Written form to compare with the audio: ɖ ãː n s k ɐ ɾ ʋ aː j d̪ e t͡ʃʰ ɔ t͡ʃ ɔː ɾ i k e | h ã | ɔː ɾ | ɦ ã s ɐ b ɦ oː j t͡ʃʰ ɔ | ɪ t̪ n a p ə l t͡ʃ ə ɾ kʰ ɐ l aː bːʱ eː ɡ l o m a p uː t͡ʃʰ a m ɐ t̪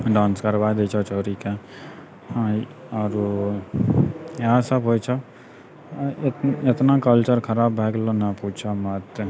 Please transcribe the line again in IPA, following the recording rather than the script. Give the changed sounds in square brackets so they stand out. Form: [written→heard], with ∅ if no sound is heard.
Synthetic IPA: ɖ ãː n s k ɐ ɾ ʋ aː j d̪ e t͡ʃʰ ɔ t͡ʃ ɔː ɾ i k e | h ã | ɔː ɾ | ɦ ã s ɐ b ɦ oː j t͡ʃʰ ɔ | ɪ t̪ n a [p→k] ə l t͡ʃ ə ɾ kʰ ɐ [l→ɾ] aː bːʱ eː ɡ l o [m→n] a p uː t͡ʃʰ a m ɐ t̪